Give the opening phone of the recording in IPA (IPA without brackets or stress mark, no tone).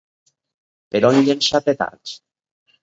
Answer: p